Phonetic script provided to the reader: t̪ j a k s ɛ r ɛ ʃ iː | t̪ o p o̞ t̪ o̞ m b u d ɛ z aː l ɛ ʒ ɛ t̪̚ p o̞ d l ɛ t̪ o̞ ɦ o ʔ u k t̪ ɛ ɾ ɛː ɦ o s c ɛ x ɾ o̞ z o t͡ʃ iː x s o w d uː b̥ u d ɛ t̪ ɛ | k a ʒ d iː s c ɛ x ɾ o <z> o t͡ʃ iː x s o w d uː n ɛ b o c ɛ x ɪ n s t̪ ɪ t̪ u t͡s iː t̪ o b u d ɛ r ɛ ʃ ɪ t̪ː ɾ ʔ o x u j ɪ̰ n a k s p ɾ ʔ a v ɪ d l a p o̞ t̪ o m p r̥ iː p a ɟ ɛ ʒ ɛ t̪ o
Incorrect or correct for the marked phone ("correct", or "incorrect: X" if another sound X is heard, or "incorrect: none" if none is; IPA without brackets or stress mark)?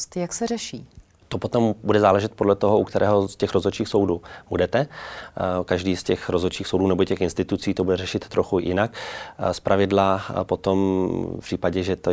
correct